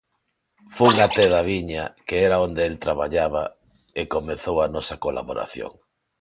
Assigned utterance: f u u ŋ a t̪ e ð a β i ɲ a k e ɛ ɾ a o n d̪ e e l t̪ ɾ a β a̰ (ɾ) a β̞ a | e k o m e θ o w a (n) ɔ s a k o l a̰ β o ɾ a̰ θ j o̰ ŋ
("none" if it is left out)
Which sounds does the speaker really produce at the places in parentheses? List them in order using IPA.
ʎ, n

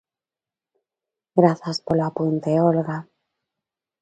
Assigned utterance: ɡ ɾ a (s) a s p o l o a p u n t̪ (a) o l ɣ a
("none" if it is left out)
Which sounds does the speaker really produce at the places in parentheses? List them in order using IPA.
θ, e

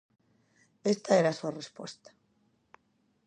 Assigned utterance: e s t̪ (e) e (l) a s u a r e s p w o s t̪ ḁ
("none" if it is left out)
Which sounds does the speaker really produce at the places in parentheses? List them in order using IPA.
a, ɾ

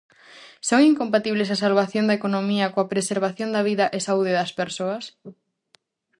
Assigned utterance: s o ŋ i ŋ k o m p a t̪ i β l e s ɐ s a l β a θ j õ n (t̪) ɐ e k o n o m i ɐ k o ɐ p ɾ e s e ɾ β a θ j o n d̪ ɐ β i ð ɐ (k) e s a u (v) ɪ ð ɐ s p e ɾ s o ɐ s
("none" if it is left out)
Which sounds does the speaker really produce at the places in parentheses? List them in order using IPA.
d̪, ʔ, ð

